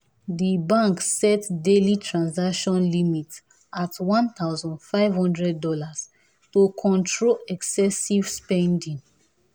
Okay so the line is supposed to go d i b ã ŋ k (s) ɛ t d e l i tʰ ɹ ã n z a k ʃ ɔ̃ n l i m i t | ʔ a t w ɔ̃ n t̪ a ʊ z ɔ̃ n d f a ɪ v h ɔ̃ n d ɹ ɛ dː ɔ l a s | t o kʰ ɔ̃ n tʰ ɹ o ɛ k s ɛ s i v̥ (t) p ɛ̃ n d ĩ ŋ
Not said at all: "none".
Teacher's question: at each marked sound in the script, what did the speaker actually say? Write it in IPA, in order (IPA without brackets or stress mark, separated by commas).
s, s